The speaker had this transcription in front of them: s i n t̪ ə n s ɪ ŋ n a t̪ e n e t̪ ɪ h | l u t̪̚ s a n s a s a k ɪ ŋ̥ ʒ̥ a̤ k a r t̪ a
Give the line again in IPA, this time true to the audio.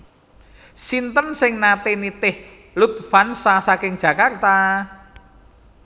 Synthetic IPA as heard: s i n t̪ ə n s ɪ ŋ n a t̪ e n i t̪ ɪ h | l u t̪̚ f a n s a s a k ɪ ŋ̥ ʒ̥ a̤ k a r t̪ a